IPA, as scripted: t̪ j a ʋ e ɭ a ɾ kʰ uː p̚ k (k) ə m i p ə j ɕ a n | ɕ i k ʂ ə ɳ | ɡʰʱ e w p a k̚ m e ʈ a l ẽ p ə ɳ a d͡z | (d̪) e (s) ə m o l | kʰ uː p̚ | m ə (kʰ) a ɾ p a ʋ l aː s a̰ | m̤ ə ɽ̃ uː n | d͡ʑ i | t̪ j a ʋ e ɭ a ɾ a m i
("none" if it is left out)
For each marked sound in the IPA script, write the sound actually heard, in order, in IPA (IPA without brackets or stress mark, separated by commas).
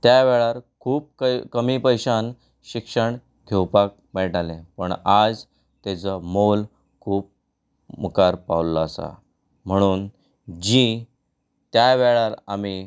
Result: k, t̪, t͡s, k